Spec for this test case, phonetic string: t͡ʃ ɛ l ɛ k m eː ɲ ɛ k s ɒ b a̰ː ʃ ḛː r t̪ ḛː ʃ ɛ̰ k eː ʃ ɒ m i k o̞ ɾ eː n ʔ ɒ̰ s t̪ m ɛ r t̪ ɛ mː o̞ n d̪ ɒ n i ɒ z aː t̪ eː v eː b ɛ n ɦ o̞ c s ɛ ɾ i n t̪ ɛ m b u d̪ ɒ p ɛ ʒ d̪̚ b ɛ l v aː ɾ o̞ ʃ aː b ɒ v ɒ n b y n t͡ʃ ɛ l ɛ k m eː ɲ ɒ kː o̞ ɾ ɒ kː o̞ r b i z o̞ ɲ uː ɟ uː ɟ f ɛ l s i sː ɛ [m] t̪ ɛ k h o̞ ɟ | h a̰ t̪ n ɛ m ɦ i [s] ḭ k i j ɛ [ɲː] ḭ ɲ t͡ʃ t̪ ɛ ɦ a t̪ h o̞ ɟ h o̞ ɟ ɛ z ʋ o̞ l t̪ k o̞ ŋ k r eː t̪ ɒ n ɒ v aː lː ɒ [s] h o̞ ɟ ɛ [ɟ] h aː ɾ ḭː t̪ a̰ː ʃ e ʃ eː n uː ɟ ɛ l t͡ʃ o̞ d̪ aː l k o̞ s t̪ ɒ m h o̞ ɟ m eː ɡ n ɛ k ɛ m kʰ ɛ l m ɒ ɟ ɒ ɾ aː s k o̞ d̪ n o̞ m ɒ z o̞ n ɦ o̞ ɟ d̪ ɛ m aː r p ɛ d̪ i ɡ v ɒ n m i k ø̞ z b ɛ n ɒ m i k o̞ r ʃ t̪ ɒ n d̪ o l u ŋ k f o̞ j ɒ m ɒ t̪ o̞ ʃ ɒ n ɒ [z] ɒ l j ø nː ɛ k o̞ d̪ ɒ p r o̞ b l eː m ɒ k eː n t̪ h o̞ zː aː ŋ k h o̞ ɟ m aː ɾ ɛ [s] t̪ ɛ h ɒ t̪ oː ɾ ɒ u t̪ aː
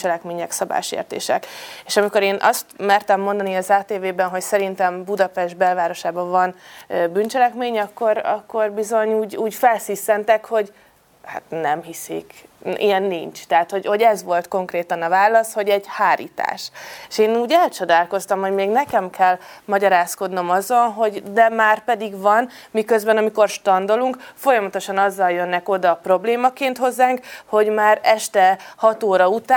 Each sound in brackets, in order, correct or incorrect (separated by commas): incorrect, correct, incorrect, correct, correct, incorrect, incorrect